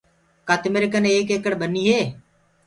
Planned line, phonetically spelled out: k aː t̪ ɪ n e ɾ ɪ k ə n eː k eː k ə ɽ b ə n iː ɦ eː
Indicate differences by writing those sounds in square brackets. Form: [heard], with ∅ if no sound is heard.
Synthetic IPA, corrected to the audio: k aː t̪ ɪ [m] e ɾ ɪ k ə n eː k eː k ə ɽ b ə n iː ɦ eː